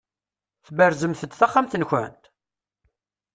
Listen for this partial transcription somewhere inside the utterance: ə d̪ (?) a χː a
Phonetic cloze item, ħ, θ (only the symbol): θ